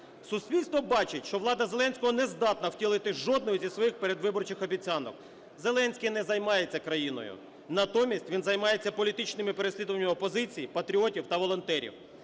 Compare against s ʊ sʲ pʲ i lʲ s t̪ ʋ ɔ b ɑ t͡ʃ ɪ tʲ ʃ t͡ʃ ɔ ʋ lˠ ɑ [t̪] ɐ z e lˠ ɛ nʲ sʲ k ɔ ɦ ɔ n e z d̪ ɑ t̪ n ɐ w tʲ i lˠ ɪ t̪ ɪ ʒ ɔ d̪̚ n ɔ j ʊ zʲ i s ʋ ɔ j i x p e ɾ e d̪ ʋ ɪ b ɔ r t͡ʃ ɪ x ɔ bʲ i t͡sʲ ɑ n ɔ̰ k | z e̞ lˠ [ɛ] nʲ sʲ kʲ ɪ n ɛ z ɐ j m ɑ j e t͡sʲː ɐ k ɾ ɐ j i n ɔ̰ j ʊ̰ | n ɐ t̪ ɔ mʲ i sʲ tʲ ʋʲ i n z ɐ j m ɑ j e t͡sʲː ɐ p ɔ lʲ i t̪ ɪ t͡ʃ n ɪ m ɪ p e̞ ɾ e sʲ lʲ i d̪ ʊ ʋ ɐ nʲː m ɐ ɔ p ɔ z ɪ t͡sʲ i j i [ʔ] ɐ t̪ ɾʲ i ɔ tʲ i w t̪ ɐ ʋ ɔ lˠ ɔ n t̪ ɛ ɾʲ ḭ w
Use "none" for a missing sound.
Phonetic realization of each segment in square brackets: d̪, ɛ, p

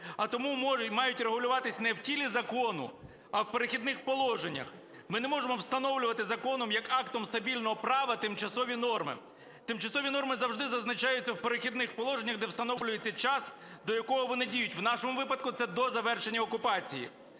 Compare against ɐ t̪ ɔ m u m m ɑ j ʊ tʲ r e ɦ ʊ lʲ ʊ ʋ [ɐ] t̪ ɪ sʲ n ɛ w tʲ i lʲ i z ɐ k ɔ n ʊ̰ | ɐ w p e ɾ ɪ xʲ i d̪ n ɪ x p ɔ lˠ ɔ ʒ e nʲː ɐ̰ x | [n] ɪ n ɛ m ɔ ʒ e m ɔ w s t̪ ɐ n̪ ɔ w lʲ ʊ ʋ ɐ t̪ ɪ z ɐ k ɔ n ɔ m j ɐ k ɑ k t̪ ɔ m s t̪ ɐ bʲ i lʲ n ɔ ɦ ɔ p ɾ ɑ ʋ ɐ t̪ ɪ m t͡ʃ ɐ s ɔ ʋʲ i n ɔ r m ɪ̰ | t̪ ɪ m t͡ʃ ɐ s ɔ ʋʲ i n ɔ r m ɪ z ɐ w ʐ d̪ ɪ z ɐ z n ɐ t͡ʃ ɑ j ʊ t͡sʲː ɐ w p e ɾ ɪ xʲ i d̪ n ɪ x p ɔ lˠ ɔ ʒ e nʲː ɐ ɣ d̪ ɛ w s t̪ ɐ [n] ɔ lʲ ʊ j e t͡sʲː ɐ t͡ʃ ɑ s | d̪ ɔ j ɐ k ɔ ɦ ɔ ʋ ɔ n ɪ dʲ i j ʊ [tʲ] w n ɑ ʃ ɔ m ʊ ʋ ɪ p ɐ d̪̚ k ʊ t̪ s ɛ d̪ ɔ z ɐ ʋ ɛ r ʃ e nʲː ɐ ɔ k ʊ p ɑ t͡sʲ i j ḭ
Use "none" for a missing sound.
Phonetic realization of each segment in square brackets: ɑ, m, n, tʲ

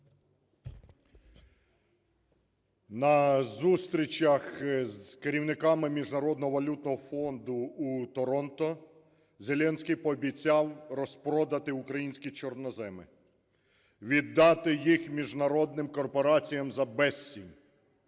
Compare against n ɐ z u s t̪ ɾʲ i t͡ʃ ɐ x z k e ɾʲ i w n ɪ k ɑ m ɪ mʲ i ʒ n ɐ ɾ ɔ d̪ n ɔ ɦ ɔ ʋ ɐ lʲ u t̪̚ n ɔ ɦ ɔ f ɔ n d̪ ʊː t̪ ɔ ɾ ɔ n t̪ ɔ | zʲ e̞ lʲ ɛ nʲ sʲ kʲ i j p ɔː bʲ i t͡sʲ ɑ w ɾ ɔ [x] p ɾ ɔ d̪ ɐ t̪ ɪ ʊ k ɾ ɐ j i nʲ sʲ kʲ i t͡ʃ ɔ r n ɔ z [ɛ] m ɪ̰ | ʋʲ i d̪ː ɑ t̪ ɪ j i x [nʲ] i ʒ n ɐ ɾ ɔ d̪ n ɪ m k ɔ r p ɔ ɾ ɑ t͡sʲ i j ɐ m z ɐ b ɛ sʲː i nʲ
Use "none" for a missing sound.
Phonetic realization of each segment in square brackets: s, ɛ, mʲ

